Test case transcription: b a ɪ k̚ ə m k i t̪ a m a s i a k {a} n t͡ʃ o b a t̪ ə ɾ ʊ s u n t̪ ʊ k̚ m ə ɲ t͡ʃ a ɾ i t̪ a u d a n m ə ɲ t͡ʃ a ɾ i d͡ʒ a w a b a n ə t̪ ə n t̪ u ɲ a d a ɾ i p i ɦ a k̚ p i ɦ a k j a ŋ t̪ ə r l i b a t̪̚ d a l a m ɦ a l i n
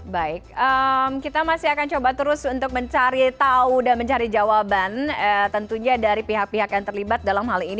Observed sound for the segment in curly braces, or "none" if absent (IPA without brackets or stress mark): a